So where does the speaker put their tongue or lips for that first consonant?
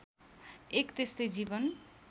velum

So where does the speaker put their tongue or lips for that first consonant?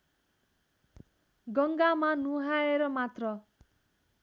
velum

